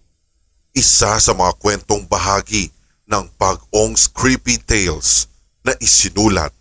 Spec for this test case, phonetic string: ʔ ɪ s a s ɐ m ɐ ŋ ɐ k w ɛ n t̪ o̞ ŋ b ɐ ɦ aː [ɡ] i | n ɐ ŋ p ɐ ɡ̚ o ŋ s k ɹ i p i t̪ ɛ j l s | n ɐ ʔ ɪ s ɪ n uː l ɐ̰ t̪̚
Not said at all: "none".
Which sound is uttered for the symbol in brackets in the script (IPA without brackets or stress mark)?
ɡ